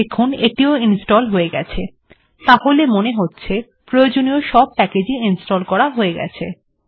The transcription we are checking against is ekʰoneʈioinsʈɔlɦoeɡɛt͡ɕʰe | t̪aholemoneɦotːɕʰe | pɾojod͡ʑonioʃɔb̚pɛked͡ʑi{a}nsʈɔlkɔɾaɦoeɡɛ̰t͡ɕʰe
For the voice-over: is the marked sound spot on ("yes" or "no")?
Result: no